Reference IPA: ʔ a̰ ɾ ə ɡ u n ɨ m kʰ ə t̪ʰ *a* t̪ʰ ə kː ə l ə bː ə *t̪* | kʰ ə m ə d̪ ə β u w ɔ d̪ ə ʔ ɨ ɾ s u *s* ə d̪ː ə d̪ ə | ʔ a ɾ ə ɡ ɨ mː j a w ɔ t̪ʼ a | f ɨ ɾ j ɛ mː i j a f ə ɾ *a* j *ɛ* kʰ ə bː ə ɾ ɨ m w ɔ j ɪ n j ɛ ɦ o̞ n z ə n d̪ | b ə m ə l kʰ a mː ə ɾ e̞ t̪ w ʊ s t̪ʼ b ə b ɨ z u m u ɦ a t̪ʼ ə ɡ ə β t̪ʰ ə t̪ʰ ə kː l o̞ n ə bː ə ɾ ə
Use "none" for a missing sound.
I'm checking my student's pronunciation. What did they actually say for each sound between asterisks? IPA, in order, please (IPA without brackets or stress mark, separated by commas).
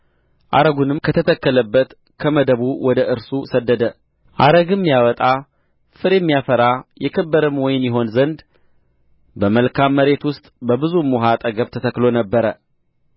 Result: ə, t̪, s, a, ɛ